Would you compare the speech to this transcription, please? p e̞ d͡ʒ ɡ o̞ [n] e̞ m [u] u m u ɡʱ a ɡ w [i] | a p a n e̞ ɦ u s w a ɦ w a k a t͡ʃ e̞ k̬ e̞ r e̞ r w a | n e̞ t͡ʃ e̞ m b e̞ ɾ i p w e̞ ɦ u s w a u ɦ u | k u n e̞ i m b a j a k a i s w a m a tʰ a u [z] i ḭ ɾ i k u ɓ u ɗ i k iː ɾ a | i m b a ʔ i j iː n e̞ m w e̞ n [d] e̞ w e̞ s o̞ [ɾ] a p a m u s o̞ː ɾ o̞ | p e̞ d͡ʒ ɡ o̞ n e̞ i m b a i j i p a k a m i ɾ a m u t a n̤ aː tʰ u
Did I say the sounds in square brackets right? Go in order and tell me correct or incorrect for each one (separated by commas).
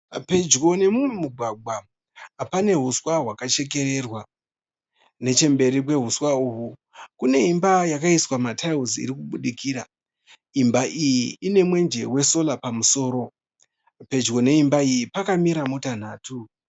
correct, correct, incorrect, correct, incorrect, incorrect